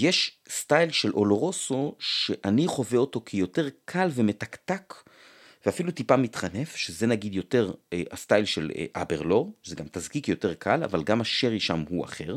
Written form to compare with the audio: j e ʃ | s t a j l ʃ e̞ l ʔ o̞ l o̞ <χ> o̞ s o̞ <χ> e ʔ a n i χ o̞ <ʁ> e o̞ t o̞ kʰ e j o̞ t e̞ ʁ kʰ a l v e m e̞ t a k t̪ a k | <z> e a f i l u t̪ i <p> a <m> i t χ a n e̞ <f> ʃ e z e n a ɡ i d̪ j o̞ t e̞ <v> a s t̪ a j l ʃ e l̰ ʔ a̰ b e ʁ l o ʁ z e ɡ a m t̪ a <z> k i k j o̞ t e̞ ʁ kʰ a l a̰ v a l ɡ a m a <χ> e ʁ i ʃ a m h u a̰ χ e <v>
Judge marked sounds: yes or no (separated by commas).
no, no, no, no, yes, yes, yes, no, yes, no, no